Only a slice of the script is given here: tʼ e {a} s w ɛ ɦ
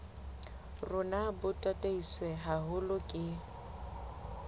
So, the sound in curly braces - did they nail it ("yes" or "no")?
no